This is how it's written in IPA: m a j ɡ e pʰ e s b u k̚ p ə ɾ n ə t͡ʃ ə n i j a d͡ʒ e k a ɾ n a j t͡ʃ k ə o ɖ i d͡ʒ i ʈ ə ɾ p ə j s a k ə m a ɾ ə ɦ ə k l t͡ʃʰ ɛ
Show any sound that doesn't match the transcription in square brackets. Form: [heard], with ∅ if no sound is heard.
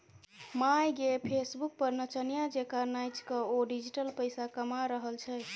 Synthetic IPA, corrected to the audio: m a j ɡ e pʰ e s b u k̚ p ə ɾ n ə t͡ʃ ə n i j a d͡ʒ e k a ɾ n a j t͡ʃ k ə o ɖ i d͡ʒ i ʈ ə [l] p ə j s a k ə m a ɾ ə ɦ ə [∅] l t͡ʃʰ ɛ